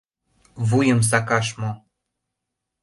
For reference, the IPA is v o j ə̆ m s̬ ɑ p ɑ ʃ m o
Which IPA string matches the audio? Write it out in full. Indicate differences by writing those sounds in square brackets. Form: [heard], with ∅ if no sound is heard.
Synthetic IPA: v [u] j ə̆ m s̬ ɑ [k] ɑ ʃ m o